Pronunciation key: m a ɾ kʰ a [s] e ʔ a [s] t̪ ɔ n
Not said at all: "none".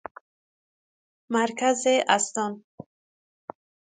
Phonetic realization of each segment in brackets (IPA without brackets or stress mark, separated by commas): z, s